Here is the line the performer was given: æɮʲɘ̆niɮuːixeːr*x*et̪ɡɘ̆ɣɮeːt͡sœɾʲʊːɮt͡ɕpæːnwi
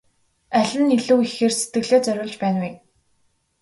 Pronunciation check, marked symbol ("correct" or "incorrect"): incorrect